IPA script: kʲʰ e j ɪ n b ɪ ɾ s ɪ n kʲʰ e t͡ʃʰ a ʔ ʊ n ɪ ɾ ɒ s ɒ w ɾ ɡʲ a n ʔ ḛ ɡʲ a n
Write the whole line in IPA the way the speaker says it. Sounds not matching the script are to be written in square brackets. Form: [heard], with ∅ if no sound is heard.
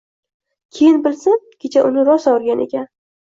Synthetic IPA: kʲʰ e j ɪ n b ɪ [l] s ɪ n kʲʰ e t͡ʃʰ a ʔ ʊ n ɪ ɾ ɒ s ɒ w ɾ ɡʲ a n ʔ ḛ [kʲ] a n